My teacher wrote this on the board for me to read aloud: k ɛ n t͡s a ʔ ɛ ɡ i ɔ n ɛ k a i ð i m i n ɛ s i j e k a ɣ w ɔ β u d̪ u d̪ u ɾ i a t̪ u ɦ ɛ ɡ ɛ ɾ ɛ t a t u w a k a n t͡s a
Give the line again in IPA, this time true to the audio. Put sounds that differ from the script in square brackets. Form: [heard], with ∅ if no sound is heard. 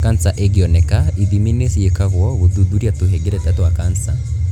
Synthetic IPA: k [a] n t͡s a ʔ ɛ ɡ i ɔ n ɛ k a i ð i m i n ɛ s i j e k a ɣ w ɔ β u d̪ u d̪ u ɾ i a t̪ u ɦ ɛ ɡ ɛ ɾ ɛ t a t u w a k a n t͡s a

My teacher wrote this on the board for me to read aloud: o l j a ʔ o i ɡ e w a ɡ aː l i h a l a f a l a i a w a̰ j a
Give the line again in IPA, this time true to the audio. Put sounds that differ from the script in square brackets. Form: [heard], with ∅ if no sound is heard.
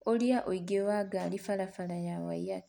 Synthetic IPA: o l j a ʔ o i ɡ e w a ɡ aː l i [f] a l a f a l a [j] a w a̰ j a

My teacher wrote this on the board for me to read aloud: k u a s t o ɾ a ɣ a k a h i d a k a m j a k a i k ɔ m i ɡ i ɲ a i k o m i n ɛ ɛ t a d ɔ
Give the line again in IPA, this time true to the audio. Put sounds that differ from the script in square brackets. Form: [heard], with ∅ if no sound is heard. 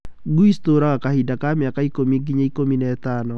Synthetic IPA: [ɡ] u [i] s t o ɾ a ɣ a k a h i d a k a m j a k a i k [o] m i ɡ i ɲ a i k o m i n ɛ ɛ t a [n] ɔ

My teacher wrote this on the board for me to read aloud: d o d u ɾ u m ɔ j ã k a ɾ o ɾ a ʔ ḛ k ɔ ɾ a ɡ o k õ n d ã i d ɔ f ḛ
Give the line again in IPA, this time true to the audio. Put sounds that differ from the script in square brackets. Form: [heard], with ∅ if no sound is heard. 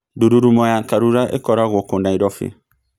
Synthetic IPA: d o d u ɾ u m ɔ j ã k a ɾ [u] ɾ a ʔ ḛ k ɔ ɾ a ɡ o k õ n d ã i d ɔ f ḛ

